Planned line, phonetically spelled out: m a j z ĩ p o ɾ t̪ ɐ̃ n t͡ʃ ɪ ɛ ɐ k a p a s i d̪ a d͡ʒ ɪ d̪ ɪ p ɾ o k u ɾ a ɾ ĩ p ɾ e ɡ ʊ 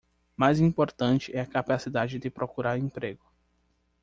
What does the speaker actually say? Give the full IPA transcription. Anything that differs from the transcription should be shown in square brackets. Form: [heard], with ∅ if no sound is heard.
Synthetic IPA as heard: m a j z ĩ p o ɾ t̪ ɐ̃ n t͡ʃ ɪ ɛ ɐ k a p a s i d̪ a d͡ʒ ɪ d̪ ɪ p ɾ o k u ɾ a ɾ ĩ p ɾ e ɡ ʊ